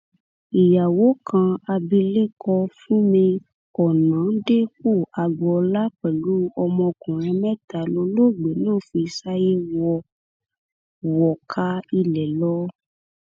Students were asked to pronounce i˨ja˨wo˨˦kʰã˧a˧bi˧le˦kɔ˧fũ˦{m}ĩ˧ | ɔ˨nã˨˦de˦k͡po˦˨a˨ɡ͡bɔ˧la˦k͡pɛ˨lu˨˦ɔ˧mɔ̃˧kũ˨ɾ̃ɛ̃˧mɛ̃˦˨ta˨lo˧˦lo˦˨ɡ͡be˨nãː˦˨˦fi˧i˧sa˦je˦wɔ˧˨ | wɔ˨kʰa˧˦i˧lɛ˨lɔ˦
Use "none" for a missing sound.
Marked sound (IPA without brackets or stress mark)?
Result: m